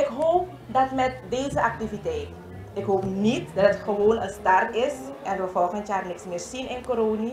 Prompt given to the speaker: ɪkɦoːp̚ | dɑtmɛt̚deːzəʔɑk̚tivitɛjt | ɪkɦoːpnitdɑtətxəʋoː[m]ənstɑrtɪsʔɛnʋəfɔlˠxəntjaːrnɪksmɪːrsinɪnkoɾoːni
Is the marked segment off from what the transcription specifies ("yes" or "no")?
yes